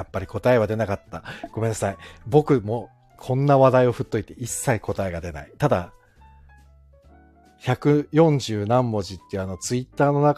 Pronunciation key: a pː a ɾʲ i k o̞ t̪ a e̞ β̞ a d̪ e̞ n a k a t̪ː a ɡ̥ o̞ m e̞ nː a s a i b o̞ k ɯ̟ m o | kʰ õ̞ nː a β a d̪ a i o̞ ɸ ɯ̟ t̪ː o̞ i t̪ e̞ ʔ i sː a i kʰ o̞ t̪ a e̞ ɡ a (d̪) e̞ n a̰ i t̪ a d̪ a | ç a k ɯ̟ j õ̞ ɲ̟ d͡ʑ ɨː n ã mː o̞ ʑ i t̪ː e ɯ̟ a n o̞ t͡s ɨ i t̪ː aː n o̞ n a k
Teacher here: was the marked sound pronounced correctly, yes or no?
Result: yes